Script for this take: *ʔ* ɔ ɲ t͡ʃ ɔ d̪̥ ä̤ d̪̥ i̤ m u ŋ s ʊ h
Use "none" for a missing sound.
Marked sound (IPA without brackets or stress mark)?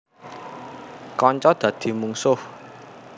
k